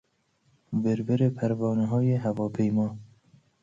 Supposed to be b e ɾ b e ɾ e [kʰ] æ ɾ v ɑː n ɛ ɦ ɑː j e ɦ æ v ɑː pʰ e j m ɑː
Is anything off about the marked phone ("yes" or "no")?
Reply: yes